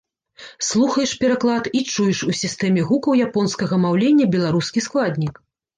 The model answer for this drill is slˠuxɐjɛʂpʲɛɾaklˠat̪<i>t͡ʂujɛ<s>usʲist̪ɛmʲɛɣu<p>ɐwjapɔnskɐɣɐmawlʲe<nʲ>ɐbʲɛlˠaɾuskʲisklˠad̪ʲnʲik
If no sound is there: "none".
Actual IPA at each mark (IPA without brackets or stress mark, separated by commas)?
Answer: i, ʂ, k, nʲː